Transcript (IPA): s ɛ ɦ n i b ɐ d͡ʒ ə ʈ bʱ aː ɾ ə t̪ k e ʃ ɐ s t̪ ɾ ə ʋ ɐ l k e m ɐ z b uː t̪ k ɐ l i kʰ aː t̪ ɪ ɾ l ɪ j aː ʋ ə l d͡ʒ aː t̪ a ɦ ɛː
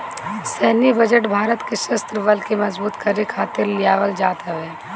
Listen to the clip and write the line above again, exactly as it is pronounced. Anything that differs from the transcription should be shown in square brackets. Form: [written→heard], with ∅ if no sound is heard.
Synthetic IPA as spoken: s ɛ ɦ n i b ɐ d͡ʒ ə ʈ bʱ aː ɾ ə t̪ k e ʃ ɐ s t̪ ɾ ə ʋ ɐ l k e m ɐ z b uː t̪ k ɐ [l→ɾ] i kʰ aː t̪ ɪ ɾ l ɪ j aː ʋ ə l d͡ʒ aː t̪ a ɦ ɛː